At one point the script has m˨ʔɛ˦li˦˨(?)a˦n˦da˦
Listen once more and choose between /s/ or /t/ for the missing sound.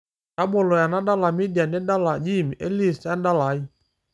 s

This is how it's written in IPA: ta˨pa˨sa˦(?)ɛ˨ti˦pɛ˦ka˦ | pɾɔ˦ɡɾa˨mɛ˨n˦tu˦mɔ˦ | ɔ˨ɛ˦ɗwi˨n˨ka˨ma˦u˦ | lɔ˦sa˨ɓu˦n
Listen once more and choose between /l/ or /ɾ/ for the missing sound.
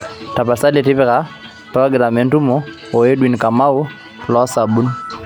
l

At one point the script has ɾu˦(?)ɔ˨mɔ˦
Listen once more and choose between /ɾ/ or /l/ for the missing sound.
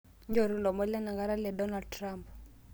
l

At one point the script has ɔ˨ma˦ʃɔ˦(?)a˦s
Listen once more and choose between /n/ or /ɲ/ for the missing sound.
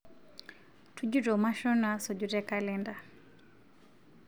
n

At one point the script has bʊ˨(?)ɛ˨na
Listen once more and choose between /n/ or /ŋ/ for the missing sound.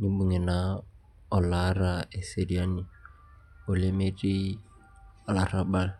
ŋ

